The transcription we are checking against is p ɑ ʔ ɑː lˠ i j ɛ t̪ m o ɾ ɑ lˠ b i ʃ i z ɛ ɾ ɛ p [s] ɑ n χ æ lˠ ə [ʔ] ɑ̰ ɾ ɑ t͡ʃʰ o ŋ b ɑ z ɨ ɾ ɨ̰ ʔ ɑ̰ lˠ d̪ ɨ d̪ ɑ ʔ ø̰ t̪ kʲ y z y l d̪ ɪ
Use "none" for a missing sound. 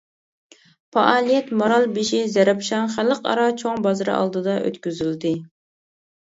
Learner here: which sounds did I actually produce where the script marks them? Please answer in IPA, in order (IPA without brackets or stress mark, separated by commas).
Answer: ʃ, q